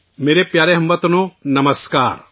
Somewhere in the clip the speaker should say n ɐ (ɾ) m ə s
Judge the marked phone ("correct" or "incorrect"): incorrect